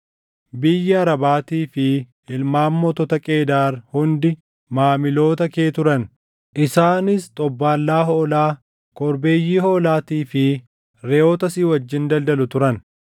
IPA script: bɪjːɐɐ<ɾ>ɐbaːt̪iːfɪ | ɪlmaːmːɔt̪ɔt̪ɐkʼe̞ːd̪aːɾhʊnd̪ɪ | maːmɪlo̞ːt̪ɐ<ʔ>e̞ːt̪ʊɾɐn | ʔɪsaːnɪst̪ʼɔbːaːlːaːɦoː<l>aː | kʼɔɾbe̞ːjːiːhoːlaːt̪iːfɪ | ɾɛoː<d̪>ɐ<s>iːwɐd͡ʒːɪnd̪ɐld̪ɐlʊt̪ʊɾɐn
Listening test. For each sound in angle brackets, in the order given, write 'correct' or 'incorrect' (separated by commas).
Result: correct, incorrect, correct, incorrect, correct